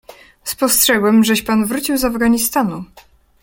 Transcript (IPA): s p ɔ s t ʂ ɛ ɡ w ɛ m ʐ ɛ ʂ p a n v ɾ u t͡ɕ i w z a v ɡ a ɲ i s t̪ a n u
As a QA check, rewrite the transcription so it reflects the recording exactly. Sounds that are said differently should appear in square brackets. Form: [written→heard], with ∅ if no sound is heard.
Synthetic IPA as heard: s p ɔ s t ʂ ɛ ɡ w ɛ m ʐ ɛ [ʂ→ɕ] p a n v ɾ u t͡ɕ i w z a v ɡ a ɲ i s t̪ a n u